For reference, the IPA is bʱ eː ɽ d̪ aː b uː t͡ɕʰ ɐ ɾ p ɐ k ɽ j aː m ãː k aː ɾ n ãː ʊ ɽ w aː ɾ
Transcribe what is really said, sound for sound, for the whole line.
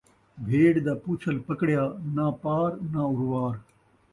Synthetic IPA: bʱ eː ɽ d̪ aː p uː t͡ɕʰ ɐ l p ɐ k ɽ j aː n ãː p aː ɾ n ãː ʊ ɾ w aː ɾ